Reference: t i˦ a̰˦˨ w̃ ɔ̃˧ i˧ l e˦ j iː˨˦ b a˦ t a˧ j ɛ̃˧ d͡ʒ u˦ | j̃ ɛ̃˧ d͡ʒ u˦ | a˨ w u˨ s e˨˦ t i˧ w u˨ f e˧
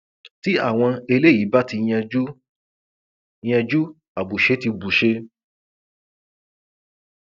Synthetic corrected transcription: t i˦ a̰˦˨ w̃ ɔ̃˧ e˧ l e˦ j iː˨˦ b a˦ t i˧ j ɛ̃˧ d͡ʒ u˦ | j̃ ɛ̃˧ d͡ʒ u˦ | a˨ b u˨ ʃ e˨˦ t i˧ b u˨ ʃ e˧